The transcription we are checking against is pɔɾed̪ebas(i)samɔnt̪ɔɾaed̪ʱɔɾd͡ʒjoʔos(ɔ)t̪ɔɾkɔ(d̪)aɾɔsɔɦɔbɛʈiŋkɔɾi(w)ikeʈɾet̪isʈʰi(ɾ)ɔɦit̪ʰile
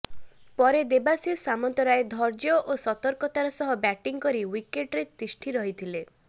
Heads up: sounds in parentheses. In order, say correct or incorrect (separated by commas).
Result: correct, correct, incorrect, correct, correct